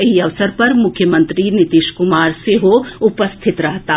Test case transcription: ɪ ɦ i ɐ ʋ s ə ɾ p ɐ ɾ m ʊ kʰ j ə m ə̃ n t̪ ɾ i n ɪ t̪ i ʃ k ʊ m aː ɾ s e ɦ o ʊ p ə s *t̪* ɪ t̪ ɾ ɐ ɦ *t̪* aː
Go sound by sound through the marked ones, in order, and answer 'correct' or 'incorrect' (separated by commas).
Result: incorrect, correct